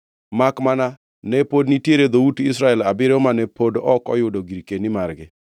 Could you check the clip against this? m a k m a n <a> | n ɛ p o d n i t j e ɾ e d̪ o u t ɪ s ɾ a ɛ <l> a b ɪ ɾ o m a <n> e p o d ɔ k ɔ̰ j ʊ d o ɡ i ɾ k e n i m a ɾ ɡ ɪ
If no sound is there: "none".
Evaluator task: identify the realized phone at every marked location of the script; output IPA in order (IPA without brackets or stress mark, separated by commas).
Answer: a, l, n